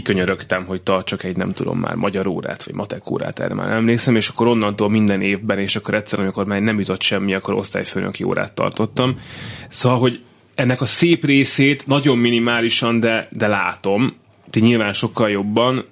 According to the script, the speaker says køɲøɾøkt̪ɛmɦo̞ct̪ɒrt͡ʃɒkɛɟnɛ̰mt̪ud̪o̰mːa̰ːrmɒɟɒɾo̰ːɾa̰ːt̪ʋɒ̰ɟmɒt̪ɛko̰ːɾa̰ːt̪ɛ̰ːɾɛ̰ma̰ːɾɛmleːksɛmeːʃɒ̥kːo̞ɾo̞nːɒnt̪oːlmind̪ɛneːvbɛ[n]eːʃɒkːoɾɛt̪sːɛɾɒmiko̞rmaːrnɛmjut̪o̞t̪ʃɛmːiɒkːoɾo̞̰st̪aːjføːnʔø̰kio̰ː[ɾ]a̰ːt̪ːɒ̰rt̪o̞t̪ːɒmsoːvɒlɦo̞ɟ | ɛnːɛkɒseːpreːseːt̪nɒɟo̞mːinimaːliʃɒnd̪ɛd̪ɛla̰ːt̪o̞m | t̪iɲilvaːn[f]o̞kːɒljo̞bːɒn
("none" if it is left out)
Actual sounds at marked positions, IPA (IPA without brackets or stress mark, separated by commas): n, ɾ, ʃ